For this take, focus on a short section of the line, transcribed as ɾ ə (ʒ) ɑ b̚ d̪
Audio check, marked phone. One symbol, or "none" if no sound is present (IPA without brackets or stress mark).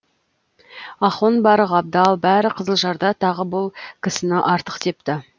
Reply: ʁ